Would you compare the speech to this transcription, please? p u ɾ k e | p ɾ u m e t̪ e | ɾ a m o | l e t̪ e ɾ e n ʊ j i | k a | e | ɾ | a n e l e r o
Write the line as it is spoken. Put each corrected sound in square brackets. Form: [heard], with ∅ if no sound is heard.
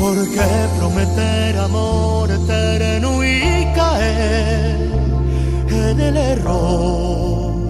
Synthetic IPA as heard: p [o] ɾ k e | p ɾ [o] m e t̪ e | ɾ a m o | [ɾ] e t̪ e ɾ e n [u] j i | k a | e | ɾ | [e] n e l e r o

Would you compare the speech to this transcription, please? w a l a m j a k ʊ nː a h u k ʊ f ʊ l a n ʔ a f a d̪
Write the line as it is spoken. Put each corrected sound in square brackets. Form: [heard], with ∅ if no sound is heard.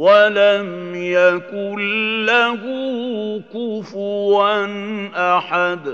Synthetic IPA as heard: w a l a m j a k ʊ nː a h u k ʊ f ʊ [ɾ] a n ʔ a [ħ] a d̪

